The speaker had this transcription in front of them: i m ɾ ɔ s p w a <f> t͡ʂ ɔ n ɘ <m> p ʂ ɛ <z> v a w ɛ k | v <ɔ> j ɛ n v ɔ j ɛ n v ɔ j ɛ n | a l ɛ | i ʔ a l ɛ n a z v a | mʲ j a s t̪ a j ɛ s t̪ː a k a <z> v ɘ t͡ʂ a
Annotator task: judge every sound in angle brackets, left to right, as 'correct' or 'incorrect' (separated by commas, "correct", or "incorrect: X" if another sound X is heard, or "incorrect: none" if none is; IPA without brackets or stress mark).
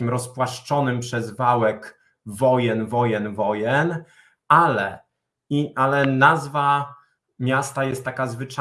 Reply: incorrect: ʂ, correct, correct, correct, correct